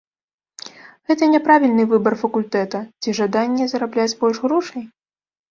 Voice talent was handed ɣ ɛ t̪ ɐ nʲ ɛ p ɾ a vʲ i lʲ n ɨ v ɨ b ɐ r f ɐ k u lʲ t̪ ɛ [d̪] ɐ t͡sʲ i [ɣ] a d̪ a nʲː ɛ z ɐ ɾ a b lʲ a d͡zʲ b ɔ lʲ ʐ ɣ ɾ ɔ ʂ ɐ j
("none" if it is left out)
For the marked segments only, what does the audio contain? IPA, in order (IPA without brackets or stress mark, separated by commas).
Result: t̪, ʐ